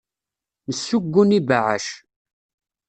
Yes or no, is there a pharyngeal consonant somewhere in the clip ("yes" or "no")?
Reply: yes